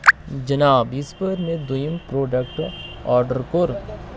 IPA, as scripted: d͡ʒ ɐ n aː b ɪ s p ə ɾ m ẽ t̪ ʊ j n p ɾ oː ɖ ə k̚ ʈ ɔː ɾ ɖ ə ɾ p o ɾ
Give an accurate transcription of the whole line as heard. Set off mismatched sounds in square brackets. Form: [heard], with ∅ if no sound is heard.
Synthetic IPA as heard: d͡ʒ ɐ n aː b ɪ s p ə ɾ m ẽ [d̪] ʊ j [m] p ɾ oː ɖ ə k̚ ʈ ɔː ɾ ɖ ə ɾ [k] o ɾ